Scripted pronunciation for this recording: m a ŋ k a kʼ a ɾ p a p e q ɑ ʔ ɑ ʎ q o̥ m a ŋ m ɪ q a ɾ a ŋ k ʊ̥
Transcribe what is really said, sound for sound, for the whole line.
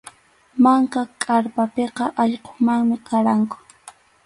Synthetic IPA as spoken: m a ŋ k a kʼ a ɾ p a p e q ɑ ʔ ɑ ʎ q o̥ m a ŋ m ɪ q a ɾ a ŋ k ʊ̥